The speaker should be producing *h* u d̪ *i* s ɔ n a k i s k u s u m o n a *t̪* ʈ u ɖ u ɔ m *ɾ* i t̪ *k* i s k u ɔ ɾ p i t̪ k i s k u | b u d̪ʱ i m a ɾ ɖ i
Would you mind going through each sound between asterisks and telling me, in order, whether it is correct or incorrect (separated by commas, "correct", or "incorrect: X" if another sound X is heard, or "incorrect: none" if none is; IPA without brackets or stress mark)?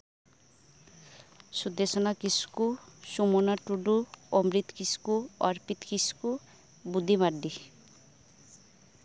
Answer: incorrect: s, incorrect: e, incorrect: none, correct, correct